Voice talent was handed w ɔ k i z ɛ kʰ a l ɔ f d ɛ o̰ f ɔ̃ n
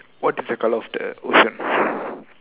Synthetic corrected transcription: w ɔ t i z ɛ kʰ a l ɔ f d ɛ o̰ ʃ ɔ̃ n